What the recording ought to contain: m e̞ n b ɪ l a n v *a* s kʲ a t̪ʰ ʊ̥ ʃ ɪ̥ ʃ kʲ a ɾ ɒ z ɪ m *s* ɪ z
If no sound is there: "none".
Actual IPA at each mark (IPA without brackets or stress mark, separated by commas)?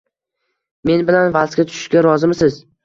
a, s